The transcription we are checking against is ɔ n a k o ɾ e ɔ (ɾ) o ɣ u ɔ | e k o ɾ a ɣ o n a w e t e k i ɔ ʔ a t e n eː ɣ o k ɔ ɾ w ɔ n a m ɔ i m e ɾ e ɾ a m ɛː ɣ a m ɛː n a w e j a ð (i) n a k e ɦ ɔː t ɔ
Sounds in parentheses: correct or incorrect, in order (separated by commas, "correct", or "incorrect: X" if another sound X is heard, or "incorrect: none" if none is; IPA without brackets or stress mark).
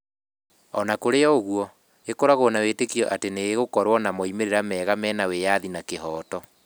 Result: incorrect: none, correct